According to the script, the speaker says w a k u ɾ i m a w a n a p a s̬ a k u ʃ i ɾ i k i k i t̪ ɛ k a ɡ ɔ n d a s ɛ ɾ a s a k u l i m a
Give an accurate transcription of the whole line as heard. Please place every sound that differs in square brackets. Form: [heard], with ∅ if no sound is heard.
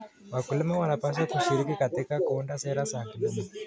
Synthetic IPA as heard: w a k u [l] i m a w a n a p a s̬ a k u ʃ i ɾ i k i k [a] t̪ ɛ k a [k] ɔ n d a s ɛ ɾ a s a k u l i m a